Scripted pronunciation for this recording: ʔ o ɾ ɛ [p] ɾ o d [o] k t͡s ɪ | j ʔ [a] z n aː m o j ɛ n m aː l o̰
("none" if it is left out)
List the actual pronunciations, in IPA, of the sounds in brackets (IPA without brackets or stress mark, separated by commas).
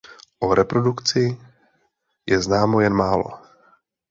p, u, ɛ